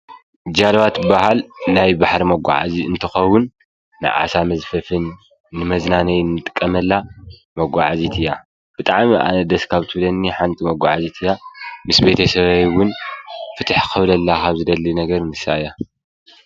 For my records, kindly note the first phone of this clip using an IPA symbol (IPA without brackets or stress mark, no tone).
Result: d͡ʒ